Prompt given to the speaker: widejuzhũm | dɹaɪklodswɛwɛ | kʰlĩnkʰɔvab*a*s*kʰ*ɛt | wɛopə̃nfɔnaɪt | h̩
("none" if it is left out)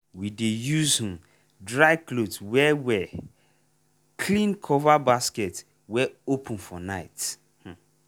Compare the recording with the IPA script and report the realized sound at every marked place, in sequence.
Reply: a, k

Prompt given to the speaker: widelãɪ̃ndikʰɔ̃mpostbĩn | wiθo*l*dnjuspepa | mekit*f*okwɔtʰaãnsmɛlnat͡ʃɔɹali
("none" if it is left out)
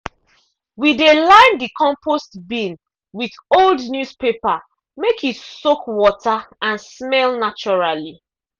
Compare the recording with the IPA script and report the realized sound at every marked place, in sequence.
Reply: l, s

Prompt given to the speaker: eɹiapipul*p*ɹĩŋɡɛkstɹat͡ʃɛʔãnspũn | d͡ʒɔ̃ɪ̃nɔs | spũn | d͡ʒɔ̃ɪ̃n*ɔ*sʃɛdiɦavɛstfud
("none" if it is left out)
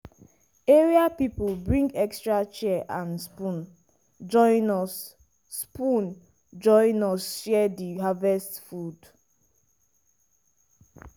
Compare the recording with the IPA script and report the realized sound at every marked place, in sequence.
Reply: b, ɔ

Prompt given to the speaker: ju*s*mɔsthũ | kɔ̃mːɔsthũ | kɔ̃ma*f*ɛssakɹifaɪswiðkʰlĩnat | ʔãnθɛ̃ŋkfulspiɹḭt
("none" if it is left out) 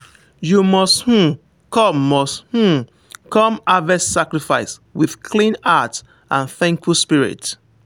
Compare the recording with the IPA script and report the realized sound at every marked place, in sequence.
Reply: none, v

